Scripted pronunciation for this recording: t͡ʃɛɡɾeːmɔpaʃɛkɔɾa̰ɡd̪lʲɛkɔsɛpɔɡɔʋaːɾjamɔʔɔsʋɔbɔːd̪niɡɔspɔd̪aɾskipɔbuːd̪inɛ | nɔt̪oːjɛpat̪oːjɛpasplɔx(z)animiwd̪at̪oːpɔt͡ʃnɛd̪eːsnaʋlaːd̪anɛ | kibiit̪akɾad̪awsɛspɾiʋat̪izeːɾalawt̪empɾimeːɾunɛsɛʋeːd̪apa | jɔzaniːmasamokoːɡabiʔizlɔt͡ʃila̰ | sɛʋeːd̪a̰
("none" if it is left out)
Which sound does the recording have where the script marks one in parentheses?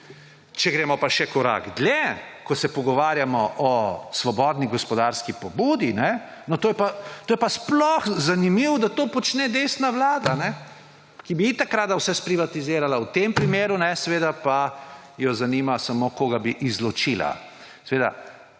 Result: z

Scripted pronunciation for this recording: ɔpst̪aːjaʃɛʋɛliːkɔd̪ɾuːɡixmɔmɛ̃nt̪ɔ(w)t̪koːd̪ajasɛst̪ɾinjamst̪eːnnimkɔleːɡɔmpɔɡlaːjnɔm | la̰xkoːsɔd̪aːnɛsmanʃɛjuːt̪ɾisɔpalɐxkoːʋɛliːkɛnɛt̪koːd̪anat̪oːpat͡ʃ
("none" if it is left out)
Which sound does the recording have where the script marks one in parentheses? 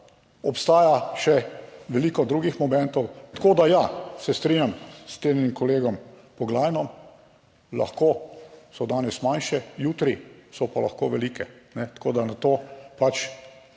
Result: w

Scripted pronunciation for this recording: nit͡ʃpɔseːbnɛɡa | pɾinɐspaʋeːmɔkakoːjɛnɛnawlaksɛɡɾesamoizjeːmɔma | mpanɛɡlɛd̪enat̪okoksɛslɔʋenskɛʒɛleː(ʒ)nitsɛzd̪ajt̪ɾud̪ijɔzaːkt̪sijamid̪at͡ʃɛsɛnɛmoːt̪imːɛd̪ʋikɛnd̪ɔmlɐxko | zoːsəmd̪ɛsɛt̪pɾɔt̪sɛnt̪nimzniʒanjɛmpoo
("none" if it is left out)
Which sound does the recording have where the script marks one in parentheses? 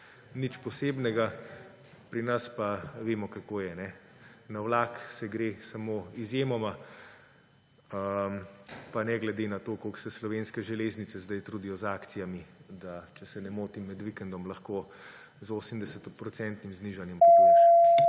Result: z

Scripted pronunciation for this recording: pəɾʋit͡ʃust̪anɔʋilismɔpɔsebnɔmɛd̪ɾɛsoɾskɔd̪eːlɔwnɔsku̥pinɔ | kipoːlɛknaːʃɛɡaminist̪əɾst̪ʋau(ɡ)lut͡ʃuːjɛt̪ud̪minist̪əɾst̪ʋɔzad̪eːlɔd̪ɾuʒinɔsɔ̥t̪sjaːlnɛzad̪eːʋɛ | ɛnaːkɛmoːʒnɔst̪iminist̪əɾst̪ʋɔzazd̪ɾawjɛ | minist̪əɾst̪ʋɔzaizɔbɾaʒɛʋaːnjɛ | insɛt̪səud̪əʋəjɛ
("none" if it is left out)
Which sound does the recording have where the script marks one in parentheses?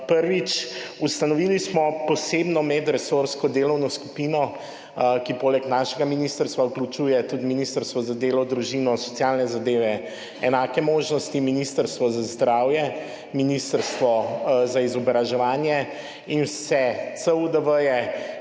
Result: k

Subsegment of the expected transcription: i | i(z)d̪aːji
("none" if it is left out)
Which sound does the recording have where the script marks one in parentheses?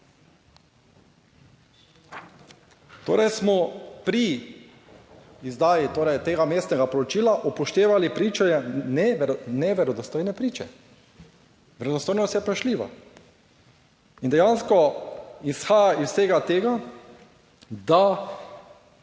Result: z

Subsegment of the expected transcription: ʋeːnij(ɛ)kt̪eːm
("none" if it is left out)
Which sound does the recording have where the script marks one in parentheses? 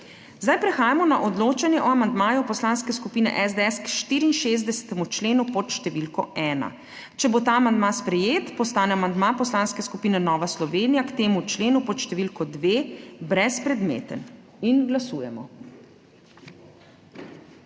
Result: a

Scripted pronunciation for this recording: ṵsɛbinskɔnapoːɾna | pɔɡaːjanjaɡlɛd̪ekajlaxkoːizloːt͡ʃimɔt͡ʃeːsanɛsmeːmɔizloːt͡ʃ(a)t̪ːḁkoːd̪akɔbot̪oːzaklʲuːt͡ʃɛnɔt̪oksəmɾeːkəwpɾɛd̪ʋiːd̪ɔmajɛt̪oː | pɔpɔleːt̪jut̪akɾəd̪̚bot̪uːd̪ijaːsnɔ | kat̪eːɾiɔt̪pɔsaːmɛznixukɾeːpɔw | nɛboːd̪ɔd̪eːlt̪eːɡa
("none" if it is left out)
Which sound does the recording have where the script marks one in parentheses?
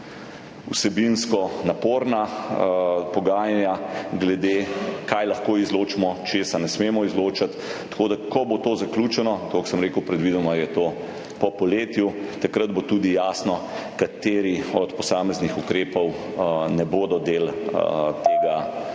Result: a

